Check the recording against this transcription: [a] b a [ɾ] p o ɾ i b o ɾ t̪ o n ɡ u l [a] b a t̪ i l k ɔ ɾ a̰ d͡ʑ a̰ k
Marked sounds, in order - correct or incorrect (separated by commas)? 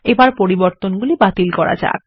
incorrect, correct, incorrect